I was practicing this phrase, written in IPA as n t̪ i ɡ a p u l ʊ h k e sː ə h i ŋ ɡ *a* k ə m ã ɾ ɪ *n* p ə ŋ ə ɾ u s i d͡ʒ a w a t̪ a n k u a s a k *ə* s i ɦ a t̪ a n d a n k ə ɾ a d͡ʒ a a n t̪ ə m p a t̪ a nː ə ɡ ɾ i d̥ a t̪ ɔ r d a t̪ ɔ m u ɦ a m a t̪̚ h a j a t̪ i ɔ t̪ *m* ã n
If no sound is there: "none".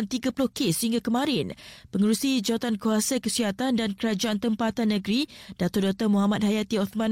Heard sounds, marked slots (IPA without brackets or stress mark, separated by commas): a, n, ə, m